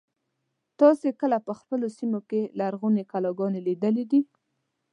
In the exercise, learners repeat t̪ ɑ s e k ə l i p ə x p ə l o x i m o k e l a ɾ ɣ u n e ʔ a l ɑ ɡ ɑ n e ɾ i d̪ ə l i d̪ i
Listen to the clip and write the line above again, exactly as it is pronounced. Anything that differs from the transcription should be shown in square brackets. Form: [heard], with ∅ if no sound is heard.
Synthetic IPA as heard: t̪ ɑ s e k ə l [a] p ə x p ə l o [s] i m o k e l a ɾ ɣ u n e [k] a l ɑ ɡ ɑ n e [l] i d̪ ə l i d̪ i